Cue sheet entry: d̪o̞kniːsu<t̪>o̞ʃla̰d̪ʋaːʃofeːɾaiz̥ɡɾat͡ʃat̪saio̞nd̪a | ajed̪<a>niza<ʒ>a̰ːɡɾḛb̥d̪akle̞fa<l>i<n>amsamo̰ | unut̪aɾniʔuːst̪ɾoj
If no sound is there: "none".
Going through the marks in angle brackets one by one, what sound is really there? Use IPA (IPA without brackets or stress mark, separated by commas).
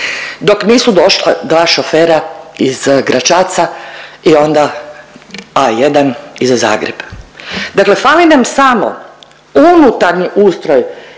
d̪, a, z, l, n